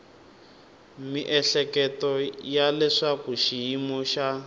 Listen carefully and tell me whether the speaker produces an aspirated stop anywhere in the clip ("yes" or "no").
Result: no